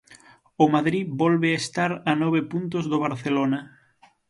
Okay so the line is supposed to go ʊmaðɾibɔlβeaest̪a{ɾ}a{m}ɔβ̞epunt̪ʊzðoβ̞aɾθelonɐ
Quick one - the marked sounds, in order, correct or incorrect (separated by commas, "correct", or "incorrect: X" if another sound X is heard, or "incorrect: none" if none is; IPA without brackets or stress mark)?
correct, incorrect: n